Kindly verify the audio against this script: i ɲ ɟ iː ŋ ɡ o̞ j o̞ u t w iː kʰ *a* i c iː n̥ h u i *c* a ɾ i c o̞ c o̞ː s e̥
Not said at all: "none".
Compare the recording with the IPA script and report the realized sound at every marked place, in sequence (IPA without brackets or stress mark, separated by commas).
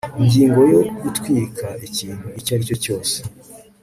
a, c